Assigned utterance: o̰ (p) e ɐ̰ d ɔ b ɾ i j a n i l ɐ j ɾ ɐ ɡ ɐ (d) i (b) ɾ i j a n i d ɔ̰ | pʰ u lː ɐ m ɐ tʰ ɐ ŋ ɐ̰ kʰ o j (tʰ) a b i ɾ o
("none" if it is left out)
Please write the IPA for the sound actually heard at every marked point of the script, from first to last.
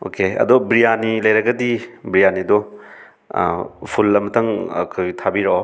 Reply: k, d, b, tʰ

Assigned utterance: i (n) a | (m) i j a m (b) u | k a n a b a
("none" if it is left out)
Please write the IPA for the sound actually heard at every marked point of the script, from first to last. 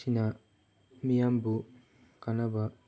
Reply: n, m, b

